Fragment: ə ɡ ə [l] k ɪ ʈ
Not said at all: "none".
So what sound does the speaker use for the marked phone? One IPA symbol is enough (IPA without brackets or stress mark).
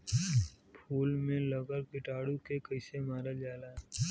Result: ɾ